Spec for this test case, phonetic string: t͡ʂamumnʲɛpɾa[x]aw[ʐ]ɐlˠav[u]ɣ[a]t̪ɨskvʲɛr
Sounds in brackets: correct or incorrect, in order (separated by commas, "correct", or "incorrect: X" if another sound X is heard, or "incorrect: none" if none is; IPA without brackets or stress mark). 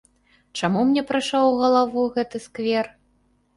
incorrect: ʂ, incorrect: ɣ, correct, incorrect: ɛ